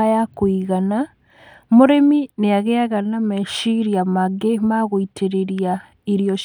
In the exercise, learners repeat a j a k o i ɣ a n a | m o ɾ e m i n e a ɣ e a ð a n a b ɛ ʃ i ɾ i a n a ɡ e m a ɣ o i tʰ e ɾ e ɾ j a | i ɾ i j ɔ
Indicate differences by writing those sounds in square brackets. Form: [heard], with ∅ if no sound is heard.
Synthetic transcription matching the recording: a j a k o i ɣ a n a | m o ɾ e m i n e a ɣ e a [ɣ] a n a [m] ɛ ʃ i ɾ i a [m] a ɡ e m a ɣ o i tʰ e ɾ e ɾ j a | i ɾ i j ɔ